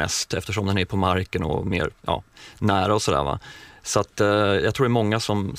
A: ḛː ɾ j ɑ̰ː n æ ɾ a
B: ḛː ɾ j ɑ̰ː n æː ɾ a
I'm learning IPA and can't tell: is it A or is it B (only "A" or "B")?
B